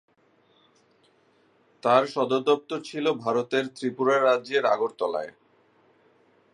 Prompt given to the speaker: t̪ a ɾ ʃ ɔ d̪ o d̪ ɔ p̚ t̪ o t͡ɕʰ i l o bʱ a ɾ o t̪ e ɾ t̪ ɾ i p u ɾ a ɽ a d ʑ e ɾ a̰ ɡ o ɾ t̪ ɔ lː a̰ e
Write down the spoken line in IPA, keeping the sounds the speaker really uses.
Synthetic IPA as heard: t̪ a ɾ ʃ ɔ d̪ o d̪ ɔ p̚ t̪ o t͡ɕʰ i l o bʱ a ɾ o t̪ e ɾ t̪ ɾ i p u ɾ a ɾ a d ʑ e ɾ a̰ ɡ o ɾ t̪ ɔ l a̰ e